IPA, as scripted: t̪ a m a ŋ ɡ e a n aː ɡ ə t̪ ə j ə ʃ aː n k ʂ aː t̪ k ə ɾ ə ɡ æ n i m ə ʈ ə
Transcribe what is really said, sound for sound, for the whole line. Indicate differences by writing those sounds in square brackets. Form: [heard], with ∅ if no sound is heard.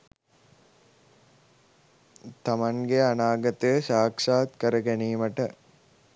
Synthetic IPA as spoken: t̪ a m a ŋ ɡ e a n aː ɡ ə t̪ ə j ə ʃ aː [∅] k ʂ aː t̪ k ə ɾ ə ɡ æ n [iː] m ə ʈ ə